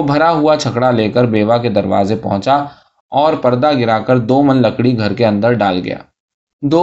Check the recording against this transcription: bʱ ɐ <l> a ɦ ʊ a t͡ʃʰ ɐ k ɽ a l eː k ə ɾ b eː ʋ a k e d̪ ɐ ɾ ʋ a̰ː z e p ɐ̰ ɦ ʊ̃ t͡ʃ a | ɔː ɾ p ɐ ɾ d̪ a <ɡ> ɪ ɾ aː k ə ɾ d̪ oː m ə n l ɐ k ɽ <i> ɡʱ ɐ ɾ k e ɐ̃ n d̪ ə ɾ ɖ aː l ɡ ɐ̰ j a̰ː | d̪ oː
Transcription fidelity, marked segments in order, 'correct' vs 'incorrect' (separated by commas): incorrect, correct, correct